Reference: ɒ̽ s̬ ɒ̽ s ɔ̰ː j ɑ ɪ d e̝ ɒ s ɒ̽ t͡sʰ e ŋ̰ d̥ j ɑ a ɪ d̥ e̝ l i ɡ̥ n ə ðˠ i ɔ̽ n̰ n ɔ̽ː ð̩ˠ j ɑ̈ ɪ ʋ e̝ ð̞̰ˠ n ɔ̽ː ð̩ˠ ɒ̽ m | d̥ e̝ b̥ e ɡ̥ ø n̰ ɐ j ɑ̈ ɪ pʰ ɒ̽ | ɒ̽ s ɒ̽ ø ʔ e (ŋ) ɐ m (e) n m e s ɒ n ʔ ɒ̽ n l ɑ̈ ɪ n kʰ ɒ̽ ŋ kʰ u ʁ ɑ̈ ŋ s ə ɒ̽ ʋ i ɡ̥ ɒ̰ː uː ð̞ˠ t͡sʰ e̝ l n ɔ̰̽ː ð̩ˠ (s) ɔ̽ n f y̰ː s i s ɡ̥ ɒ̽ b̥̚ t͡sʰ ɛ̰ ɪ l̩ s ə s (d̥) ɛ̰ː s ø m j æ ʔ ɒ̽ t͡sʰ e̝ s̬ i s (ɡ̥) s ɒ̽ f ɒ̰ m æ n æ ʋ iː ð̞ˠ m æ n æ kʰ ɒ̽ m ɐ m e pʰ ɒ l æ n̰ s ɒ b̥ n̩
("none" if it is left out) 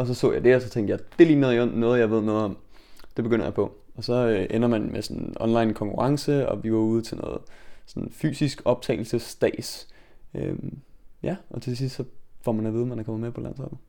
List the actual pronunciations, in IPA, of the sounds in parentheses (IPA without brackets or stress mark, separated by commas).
n, æ, s, d̥, d̥